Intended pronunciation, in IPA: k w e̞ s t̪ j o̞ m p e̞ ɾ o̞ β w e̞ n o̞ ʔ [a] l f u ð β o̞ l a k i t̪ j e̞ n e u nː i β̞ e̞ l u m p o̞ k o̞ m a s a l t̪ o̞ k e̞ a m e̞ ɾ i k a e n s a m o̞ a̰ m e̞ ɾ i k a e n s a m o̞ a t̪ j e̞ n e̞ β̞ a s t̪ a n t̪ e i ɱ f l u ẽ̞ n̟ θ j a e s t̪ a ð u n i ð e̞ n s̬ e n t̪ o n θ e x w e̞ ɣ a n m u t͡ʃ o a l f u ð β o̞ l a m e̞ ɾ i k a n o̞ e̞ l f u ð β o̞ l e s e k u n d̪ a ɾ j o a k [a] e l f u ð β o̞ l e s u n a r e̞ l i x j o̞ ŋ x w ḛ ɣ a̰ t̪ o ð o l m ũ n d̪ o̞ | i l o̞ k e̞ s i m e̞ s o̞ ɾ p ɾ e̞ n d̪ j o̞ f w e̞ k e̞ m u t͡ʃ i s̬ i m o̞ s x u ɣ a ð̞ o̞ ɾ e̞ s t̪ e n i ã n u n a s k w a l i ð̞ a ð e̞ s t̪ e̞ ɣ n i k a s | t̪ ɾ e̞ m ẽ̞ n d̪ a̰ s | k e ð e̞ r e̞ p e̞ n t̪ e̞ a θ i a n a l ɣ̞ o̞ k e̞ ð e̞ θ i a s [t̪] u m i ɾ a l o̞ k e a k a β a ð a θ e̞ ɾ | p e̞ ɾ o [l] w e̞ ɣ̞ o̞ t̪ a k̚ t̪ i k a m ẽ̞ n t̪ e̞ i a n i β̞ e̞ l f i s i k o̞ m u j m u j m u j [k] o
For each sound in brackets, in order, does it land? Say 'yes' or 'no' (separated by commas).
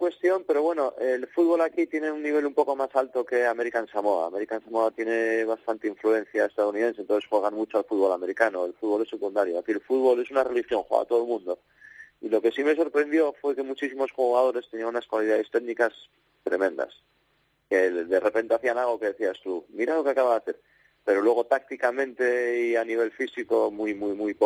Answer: no, no, yes, yes, no